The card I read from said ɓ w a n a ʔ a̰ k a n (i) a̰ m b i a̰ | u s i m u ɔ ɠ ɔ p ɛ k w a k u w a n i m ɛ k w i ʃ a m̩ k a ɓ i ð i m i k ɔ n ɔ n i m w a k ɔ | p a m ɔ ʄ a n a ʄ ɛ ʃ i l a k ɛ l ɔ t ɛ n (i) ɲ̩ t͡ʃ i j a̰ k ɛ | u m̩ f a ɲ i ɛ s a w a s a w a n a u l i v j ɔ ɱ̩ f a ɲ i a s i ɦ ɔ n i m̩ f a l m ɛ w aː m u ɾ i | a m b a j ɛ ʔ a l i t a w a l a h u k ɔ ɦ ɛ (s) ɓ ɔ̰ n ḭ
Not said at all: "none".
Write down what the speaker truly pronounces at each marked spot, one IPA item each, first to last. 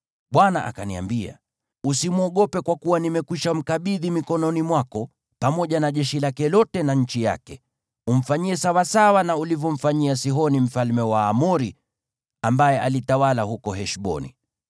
i, a, ʃ

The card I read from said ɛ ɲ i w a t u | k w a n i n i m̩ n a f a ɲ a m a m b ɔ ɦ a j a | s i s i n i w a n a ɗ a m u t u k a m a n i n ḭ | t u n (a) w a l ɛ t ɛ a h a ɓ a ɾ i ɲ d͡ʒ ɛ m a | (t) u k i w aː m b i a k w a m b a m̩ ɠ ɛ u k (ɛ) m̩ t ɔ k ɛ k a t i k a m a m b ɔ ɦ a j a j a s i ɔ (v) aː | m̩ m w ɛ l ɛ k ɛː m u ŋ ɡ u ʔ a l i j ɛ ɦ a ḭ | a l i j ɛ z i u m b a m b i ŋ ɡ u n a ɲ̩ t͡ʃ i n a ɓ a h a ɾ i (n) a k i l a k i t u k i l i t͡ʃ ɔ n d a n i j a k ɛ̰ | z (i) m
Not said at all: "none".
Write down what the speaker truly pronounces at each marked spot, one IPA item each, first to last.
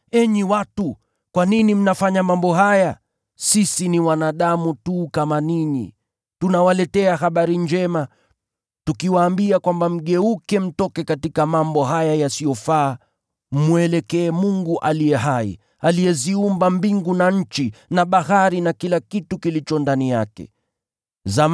a, t, ɛ, f, n, a

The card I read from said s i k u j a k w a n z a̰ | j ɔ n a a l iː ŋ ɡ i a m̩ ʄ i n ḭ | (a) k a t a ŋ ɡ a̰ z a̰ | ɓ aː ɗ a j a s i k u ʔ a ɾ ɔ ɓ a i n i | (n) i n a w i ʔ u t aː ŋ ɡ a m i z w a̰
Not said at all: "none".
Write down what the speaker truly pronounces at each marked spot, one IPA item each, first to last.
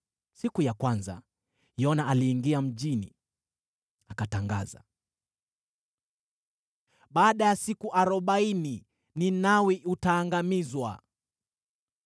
a, n

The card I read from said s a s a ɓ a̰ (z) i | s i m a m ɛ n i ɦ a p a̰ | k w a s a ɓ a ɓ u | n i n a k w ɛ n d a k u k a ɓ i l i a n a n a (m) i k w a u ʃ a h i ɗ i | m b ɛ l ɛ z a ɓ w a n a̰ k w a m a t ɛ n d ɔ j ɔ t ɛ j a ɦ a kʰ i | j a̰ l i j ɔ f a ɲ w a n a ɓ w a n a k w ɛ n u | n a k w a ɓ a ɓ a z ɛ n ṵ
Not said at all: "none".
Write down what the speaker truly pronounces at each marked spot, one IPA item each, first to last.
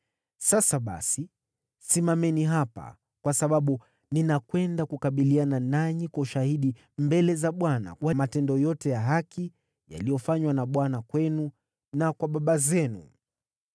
s, ɲ

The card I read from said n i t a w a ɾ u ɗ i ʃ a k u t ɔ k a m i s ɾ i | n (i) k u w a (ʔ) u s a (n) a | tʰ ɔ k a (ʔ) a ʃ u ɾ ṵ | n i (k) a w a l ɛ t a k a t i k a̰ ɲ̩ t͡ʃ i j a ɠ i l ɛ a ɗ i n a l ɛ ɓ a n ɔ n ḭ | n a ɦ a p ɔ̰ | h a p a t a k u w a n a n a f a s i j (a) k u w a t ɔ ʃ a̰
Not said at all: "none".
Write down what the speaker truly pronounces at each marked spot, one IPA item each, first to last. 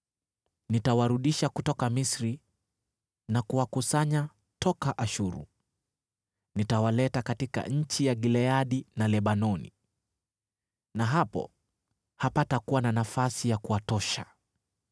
a, k, ɲ, ʔ, t, a

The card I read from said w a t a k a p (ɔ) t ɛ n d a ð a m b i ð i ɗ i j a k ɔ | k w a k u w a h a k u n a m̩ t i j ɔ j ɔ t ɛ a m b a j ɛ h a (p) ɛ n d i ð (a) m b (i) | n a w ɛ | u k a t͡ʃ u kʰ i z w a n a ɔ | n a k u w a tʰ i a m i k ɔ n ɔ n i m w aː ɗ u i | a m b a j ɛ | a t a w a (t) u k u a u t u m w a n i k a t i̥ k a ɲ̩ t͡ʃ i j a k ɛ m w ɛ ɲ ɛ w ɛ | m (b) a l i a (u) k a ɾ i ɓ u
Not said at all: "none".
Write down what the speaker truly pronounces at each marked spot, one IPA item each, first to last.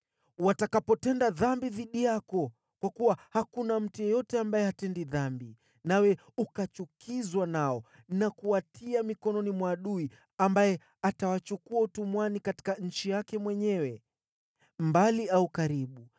ɔ, t, a, i, t͡ʃ, b, u

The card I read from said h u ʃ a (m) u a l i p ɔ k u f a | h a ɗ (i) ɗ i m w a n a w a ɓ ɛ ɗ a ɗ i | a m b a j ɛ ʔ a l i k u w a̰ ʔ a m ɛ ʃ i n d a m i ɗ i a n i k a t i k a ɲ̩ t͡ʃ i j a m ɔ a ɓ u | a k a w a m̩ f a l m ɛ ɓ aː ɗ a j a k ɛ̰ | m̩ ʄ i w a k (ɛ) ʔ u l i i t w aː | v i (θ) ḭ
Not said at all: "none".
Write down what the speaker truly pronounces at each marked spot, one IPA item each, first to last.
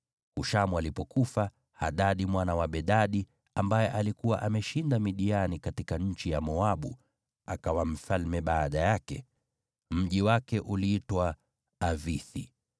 m, a, ɛ, θ

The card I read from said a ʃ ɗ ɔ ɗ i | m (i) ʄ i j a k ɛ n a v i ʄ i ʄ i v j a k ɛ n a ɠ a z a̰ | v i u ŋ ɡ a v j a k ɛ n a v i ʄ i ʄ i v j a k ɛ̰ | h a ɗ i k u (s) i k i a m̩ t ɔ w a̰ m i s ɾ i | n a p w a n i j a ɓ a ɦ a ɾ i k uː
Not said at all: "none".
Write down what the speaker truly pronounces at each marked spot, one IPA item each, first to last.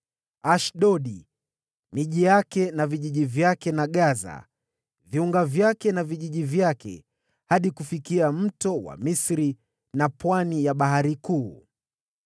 i, f

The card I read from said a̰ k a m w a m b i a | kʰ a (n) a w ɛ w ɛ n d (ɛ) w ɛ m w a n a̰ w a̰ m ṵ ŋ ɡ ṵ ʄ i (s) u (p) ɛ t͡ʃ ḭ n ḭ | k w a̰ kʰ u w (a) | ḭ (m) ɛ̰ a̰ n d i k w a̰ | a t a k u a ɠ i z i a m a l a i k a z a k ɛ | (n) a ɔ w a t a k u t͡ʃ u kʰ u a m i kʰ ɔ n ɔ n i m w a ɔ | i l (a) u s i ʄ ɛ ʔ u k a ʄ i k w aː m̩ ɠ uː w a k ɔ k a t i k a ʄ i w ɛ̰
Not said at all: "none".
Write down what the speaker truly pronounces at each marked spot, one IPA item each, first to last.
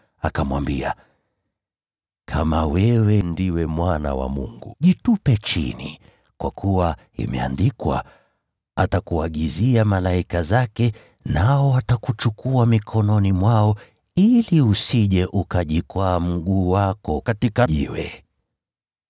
m, i, t, p, a, m, n, i

